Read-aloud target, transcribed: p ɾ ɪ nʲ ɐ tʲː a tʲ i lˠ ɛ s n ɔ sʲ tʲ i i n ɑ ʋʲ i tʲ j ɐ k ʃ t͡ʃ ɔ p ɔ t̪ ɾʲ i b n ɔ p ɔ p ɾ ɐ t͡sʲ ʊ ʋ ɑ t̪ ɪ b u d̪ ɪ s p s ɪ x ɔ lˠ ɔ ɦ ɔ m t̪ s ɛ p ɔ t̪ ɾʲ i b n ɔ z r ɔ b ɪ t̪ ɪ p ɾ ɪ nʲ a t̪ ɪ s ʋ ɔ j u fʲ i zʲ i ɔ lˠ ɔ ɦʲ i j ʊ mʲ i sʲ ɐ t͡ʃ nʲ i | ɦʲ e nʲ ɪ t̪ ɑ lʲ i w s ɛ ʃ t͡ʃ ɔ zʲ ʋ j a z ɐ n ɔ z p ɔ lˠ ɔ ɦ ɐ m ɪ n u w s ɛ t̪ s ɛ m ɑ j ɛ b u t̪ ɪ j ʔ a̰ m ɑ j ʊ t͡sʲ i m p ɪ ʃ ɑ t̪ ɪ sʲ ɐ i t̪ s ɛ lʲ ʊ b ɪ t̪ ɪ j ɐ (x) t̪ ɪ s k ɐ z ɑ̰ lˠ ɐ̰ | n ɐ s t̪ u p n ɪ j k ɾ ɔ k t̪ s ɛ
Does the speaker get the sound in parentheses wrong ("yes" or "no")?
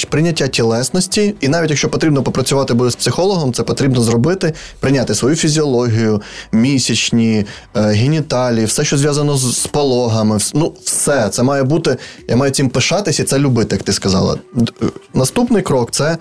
yes